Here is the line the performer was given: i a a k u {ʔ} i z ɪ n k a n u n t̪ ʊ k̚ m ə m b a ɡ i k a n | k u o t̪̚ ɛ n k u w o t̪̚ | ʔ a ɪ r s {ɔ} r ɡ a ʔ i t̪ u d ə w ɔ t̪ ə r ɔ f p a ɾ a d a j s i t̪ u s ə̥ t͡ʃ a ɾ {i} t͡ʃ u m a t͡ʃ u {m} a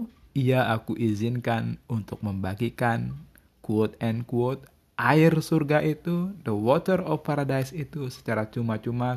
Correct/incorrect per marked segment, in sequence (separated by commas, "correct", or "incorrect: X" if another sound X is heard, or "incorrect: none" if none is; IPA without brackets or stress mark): correct, incorrect: u, incorrect: a, correct